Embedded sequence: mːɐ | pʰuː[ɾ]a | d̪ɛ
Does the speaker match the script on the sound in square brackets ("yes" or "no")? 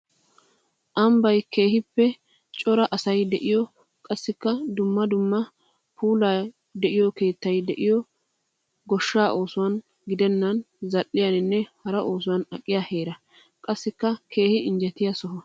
no